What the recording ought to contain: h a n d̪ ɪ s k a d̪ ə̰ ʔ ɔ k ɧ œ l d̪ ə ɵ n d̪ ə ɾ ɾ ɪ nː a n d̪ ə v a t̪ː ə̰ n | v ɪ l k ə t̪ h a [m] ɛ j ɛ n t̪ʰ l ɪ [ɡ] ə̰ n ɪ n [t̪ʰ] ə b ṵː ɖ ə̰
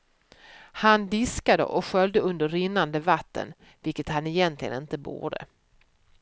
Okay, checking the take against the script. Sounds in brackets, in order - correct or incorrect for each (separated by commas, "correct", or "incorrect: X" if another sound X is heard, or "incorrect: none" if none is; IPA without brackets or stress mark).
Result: incorrect: n, correct, incorrect: t̪